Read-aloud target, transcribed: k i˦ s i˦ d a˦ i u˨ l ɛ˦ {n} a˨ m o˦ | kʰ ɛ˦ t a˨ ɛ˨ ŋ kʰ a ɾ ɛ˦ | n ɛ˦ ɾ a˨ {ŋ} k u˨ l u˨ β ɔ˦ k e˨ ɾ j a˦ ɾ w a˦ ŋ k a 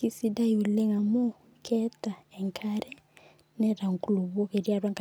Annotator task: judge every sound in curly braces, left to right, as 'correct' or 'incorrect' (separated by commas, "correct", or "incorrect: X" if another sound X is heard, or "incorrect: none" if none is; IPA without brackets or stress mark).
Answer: incorrect: ŋ, correct